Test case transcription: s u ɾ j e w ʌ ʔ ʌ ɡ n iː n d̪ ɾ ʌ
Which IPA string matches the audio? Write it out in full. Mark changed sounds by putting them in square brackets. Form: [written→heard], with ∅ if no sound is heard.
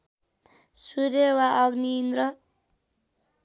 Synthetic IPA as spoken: s u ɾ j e w [ʌ→a] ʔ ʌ ɡ n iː n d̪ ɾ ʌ

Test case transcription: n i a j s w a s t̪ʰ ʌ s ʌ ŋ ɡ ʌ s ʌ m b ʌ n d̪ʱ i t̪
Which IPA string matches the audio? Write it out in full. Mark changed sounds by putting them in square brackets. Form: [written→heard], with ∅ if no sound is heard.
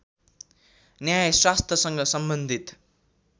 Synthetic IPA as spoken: n [i→j] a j s w a s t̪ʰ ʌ s ʌ ŋ ɡ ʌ s ʌ m b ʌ n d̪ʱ i t̪

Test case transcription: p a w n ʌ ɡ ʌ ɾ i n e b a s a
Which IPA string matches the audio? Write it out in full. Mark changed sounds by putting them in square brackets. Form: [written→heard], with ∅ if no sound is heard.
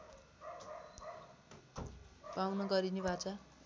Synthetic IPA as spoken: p a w n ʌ ɡ ʌ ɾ i n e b a [s→t͡s] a

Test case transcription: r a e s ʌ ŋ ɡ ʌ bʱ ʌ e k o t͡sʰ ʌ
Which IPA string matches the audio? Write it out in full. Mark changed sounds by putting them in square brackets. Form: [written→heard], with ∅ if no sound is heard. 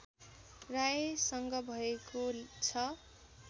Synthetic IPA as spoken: r a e s ʌ ŋ ɡ ʌ bʱ ʌ e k o t͡sʰ ʌ

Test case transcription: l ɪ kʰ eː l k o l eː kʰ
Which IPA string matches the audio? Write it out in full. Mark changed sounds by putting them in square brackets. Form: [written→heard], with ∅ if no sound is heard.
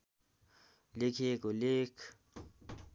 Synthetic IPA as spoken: l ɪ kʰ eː [l→∅] k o l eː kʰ

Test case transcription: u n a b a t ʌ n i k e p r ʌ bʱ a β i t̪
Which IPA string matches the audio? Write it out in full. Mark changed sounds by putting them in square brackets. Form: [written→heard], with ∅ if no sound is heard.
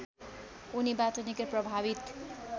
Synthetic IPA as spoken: u n [a→i] b a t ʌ n i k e p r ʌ bʱ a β i t̪

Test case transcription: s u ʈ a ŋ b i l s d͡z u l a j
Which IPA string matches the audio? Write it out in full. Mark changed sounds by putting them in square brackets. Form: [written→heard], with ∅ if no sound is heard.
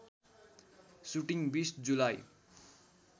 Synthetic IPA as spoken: s u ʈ [a→i] ŋ b i [l→∅] s d͡z u l a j

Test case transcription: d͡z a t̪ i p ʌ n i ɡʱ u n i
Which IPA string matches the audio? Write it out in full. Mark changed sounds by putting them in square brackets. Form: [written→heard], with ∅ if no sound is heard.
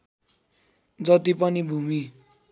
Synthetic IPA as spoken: d͡z [a→ʌ] t̪ i p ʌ n i [ɡʱ→bʱ] u [n→m] i

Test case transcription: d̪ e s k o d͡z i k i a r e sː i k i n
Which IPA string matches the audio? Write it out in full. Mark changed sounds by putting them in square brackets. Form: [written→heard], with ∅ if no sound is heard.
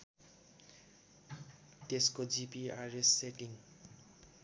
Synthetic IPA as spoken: [d̪→t̪] e s k o d͡z i [k→p] i a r e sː [i→e] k i [n→ŋ]

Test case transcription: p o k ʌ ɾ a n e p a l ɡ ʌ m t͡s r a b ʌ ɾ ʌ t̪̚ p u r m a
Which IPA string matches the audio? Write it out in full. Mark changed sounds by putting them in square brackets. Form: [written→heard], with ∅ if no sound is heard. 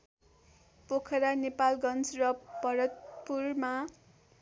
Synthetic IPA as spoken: p o [k→kʰ] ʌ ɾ a n e p a l ɡ ʌ [m→n] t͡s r [a→ʌ] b ʌ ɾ ʌ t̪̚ p u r m a

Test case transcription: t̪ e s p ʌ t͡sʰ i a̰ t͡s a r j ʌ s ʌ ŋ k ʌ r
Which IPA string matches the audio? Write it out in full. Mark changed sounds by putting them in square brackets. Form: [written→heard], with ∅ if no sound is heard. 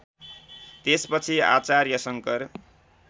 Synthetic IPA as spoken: t̪ e s p ʌ t͡sʰ i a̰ t͡s a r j ʌ s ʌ ŋ k ʌ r

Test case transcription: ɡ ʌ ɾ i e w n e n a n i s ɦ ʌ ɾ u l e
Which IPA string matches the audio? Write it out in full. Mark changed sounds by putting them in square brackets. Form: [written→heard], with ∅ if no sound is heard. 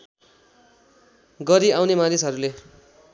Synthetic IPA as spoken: ɡ ʌ ɾ i [e→a] w n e [n→m] a n i s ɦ ʌ ɾ u l e

